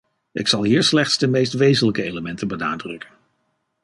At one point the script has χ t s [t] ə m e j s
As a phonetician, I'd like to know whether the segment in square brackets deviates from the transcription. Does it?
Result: yes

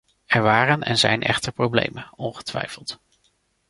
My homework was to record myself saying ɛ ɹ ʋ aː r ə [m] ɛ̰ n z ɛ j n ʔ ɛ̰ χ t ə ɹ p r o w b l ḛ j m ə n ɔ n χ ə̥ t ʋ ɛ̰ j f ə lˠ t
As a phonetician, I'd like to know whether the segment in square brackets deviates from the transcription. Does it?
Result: yes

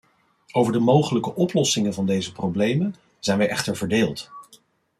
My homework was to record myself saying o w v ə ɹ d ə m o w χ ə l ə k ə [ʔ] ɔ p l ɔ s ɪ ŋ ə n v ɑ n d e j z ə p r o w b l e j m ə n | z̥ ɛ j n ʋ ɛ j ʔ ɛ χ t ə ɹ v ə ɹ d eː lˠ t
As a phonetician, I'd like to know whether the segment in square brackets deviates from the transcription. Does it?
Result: no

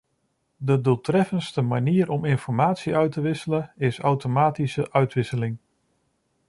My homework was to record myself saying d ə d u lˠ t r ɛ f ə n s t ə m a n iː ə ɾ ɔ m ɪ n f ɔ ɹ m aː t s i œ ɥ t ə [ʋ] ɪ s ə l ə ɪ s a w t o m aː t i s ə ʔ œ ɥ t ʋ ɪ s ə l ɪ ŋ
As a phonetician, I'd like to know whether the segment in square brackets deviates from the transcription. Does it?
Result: no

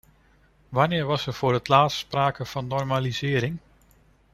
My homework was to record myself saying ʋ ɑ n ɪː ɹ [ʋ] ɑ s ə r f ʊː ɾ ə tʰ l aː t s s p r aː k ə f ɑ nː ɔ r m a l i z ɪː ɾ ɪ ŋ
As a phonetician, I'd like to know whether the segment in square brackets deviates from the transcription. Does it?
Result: no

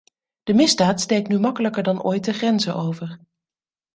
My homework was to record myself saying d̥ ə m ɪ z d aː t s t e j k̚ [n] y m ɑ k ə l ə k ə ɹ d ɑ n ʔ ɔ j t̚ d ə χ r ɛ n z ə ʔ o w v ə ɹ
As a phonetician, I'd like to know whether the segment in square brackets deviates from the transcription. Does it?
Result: no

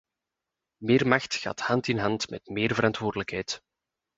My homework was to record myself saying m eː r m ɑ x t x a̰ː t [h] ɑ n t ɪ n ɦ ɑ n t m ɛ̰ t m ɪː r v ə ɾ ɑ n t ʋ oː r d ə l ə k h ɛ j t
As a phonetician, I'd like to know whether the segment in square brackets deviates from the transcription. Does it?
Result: no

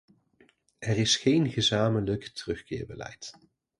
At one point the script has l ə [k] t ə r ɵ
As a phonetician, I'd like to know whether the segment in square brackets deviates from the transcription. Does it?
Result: no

